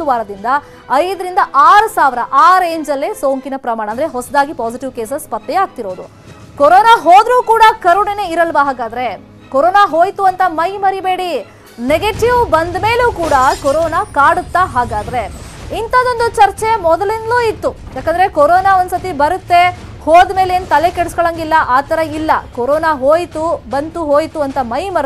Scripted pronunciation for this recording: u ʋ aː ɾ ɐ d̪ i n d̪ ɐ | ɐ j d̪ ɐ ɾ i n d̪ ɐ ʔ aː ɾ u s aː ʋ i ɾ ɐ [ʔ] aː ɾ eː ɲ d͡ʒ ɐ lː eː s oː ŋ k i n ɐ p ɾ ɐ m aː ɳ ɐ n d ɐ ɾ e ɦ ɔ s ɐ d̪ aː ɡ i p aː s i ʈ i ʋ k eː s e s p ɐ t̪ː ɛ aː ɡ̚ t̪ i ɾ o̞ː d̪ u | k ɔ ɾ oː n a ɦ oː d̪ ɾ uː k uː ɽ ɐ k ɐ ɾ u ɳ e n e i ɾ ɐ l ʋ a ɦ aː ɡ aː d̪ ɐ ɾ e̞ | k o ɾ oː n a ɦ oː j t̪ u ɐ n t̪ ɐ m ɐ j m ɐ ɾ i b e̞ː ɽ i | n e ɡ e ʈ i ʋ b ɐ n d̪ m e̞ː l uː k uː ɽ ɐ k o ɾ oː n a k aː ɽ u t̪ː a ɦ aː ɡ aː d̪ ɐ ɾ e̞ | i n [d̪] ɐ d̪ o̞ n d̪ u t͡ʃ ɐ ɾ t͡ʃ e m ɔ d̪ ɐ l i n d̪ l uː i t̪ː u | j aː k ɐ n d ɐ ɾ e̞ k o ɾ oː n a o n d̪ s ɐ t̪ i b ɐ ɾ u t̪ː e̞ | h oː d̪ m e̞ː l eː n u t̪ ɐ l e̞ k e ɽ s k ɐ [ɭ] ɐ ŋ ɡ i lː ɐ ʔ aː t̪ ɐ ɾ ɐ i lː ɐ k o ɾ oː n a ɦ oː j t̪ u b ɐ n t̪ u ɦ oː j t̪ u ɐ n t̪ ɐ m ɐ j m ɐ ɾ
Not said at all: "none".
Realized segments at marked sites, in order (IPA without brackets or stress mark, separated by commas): ʔ, t̪, ɭ